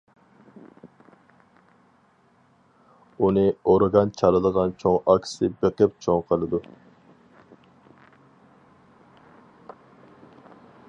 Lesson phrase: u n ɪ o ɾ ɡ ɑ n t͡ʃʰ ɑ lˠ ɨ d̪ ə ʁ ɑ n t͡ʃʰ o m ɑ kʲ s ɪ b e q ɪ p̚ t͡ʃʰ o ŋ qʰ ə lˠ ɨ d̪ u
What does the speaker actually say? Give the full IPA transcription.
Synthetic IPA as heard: u n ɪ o ɾ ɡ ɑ n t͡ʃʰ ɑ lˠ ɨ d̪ ə ʁ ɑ n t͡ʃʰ o ŋ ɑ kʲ s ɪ b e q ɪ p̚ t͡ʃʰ o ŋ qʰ ə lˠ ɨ d̪ u